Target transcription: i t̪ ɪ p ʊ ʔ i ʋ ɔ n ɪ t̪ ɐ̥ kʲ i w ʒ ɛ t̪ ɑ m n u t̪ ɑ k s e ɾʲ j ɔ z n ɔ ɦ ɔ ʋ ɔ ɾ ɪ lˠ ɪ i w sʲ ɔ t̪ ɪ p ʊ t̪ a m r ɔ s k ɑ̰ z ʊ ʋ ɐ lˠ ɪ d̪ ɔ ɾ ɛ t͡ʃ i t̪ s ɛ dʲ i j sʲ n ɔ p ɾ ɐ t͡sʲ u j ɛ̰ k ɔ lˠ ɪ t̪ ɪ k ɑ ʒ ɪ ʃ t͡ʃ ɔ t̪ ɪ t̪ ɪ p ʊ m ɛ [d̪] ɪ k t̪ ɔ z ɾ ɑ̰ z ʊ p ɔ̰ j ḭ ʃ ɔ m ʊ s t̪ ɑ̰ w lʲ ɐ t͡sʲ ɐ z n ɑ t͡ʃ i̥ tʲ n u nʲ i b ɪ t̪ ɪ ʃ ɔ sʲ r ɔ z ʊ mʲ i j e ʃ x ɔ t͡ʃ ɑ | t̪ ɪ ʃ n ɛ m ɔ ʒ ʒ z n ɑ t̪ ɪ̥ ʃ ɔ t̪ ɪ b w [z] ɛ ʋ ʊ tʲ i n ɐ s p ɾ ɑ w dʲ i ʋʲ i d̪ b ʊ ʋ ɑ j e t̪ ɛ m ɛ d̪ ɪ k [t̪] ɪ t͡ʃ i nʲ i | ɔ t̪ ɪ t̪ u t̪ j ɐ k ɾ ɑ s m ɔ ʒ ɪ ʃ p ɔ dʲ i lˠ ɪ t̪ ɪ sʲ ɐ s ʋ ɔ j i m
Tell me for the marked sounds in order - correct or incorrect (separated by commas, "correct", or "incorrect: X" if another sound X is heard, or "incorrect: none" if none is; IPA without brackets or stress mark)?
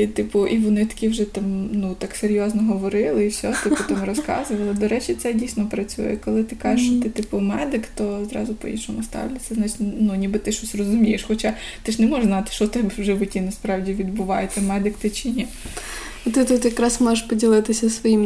correct, incorrect: ʒ, correct